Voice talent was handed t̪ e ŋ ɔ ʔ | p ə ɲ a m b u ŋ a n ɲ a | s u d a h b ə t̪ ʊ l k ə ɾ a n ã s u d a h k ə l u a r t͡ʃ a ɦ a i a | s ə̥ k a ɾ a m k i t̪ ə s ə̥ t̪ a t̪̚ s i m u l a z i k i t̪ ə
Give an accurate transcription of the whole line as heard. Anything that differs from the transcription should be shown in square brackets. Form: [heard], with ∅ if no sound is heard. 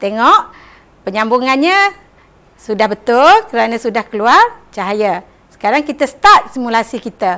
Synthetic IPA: t̪ e ŋ ɔ ʔ | p ə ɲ a m b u ŋ a n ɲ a | s u d a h b ə t̪ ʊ l k ə ɾ a n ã s u d a h k ə l u a r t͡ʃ a ɦ a [j] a | s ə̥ k a ɾ a [ŋ] k i t̪ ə s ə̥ t̪ a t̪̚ s i m u l a [s] i k i t̪ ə